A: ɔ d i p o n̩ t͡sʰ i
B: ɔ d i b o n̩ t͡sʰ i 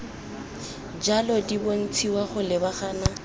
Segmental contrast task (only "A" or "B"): B